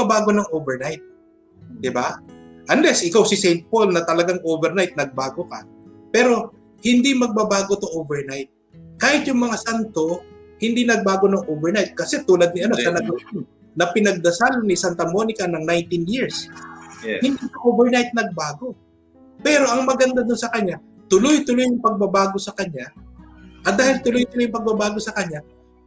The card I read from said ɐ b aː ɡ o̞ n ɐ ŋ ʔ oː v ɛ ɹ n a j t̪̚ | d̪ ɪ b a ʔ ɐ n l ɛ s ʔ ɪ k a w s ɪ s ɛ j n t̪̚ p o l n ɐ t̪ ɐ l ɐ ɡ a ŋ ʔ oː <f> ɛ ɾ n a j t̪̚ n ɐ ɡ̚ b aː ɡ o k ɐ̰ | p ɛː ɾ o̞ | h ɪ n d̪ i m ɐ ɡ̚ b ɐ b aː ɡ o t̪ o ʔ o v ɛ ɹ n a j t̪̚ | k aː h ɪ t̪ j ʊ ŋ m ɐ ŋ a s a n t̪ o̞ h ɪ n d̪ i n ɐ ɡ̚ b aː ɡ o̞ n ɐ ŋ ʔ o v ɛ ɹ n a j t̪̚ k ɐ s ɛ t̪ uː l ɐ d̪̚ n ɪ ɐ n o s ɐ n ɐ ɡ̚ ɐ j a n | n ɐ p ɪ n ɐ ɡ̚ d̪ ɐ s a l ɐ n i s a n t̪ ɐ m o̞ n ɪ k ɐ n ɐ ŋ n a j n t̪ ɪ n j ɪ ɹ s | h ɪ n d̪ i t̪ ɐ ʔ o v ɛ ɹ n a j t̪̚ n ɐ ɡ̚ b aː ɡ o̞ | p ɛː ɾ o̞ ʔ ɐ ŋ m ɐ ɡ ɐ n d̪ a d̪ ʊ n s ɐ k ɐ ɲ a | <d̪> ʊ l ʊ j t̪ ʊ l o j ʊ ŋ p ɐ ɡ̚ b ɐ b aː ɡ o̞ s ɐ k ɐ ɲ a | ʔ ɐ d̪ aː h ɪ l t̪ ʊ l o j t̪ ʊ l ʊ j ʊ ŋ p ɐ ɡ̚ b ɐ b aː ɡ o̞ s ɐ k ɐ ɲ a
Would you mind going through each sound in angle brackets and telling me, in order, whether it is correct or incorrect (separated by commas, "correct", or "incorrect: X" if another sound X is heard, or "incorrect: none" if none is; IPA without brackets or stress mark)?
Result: incorrect: v, incorrect: t̪